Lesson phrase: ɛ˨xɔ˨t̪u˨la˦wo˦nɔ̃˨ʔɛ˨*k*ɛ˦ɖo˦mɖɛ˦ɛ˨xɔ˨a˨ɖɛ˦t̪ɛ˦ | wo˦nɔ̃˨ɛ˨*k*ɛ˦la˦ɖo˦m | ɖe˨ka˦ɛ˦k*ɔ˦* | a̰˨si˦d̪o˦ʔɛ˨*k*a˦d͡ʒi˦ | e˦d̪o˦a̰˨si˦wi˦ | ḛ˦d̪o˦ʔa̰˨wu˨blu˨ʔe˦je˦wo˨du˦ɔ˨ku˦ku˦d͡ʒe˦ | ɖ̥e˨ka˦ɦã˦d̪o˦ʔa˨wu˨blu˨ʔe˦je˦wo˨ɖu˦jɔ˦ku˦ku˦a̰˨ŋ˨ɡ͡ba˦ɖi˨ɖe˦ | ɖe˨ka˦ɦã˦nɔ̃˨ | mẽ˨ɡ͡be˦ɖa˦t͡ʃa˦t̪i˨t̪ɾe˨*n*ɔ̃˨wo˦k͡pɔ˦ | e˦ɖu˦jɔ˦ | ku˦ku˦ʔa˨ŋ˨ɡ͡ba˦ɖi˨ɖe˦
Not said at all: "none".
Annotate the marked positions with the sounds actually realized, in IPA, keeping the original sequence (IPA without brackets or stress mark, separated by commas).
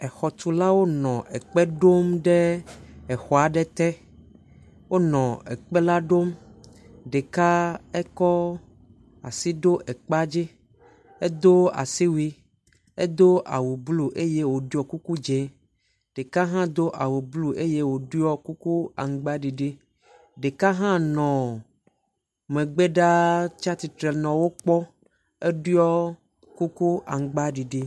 k͡p, k͡p, ɔ˦, k͡p, n